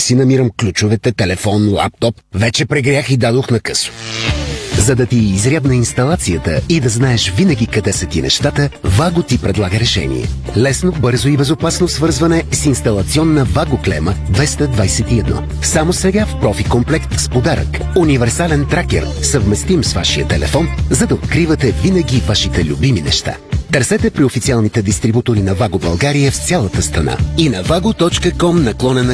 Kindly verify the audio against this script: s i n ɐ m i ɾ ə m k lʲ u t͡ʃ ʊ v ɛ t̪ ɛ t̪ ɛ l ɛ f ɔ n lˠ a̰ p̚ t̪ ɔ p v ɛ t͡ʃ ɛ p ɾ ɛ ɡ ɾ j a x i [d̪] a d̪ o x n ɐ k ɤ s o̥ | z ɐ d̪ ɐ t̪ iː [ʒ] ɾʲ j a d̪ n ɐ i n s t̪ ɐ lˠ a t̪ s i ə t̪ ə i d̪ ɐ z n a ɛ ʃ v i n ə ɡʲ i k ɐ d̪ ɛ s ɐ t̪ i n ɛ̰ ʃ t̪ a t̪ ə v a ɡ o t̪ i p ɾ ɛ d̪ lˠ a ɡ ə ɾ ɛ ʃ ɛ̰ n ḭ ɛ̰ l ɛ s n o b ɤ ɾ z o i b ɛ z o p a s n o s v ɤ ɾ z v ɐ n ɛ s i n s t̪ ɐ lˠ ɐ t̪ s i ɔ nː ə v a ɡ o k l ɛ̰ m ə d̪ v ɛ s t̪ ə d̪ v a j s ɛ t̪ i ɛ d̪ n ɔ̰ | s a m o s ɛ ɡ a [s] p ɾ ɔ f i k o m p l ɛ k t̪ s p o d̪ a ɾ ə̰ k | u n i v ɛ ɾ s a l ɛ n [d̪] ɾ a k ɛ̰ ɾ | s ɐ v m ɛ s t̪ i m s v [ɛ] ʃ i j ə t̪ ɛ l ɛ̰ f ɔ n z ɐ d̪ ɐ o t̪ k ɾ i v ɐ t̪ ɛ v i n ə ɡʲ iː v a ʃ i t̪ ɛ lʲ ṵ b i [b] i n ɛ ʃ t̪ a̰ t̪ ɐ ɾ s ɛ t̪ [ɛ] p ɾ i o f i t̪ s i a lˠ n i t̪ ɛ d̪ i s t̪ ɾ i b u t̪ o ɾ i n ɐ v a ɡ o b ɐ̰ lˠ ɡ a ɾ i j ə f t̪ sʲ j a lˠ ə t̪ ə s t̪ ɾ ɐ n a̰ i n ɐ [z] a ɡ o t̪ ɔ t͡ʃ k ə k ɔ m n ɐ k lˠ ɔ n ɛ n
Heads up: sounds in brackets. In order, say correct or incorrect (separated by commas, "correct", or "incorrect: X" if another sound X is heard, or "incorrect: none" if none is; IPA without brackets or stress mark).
correct, incorrect: z, incorrect: f, incorrect: t̪, incorrect: a, incorrect: m, correct, incorrect: v